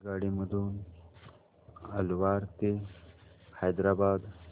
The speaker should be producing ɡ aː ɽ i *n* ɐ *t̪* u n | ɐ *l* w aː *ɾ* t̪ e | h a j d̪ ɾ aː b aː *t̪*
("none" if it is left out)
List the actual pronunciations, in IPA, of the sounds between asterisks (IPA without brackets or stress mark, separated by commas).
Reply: m, d̪, l, ɾ, d̪